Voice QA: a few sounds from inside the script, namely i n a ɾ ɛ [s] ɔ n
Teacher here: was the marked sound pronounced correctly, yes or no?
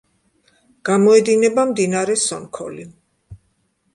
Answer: yes